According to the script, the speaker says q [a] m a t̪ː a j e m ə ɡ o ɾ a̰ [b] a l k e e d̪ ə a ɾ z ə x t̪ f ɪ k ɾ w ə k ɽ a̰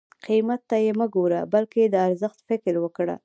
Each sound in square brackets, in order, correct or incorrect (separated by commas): incorrect, correct